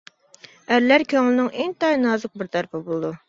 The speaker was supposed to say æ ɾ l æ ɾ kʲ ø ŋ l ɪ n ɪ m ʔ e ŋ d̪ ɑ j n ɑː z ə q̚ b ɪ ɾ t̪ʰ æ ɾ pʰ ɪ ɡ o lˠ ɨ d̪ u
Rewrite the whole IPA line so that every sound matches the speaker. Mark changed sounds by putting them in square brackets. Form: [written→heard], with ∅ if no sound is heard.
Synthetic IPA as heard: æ ɾ l æ ɾ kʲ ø ŋ l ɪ n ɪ [m→ŋ] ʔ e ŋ [d̪→t̪] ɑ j n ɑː z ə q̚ b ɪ ɾ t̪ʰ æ ɾ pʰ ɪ [ɡ→b] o lˠ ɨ d̪ u